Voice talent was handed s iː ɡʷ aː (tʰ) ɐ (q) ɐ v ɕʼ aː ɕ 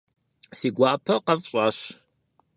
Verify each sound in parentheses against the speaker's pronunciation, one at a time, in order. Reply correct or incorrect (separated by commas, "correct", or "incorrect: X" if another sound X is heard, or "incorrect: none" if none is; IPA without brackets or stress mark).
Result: incorrect: pʰ, correct